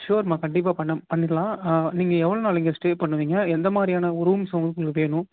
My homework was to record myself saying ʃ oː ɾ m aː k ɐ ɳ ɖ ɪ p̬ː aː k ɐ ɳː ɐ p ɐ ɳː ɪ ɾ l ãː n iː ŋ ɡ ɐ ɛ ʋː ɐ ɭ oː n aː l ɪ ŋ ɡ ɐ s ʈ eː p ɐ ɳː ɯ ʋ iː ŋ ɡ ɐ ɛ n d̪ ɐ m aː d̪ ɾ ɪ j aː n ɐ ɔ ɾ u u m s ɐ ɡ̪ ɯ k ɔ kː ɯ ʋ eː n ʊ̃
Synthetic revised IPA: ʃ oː ɾ m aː k ɐ ɳ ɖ ɪ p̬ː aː p ɐ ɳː ɐ p ɐ ɳː ɪ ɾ l ãː n iː ŋ ɡ ɐ ɛ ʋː ɐ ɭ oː n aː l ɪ ŋ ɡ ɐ s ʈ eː p ɐ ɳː ɯ ʋ iː ŋ ɡ ɐ ɛ n d̪ ɐ m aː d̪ ɾ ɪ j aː n ɐ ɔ ɾ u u m s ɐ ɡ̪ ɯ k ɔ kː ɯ ʋ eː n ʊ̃